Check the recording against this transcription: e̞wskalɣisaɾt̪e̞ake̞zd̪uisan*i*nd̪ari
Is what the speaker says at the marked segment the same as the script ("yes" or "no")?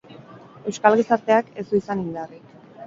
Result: yes